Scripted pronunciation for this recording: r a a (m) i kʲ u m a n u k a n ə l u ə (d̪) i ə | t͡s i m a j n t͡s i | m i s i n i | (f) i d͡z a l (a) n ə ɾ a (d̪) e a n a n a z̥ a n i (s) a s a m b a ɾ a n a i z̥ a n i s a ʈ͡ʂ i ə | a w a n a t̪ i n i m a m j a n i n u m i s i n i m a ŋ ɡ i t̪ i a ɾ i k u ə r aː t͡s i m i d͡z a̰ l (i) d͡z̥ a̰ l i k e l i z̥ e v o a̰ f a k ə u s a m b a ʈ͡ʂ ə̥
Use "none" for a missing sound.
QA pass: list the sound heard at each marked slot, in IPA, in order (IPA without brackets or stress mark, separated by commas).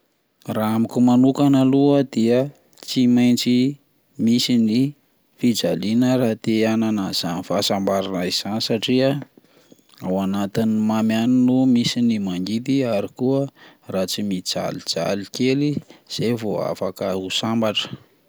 m, d̪, f, i, t̪, f, i